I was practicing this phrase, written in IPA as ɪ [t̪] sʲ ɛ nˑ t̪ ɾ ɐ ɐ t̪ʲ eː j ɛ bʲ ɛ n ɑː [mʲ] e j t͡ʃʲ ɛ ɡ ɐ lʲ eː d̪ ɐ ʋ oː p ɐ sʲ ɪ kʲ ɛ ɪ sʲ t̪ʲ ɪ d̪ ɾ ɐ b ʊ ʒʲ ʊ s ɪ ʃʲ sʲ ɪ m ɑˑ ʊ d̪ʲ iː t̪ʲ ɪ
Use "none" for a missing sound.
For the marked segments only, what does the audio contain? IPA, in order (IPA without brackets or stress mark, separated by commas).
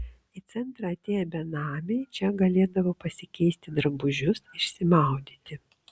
t̪, mʲ